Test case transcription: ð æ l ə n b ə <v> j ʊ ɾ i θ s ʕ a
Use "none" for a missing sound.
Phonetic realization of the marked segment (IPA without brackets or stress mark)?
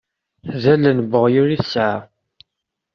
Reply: ʁ